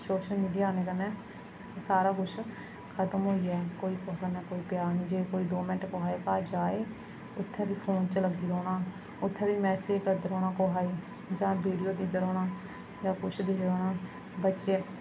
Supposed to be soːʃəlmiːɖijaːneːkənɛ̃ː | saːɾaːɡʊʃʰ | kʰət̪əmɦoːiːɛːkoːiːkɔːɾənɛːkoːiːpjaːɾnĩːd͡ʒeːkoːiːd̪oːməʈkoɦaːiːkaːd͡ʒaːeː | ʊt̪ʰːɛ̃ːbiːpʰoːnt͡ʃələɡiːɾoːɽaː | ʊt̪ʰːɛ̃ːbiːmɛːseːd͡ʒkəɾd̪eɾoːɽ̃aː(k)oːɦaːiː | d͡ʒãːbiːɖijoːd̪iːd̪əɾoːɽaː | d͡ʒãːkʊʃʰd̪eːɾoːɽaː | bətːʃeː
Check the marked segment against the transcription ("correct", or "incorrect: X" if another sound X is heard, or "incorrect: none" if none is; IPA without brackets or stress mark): correct